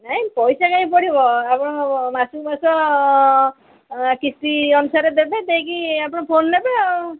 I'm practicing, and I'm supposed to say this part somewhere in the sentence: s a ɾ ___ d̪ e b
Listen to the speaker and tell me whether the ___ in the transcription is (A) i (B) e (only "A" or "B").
B